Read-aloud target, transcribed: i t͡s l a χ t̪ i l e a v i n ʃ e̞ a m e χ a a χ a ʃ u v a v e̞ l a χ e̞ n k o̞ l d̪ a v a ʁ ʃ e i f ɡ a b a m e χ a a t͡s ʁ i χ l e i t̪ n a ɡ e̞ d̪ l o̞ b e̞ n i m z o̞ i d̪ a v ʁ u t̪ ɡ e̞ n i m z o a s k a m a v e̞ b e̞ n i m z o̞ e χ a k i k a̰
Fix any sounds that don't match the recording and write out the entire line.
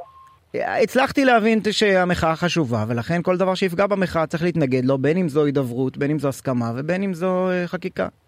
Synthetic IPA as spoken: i t͡s l a χ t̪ i l e a v i n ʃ e̞ a m e χ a a χ a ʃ u v a v e̞ l a χ e̞ n k o̞ l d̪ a v a ʁ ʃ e i f ɡ a b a m e χ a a t͡s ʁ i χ l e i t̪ n a ɡ e̞ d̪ l o̞ b e̞ n i m z o̞ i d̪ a v ʁ u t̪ b e̞ n i m z o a s k a m a v e̞ b e̞ n i m z o̞ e χ a k i k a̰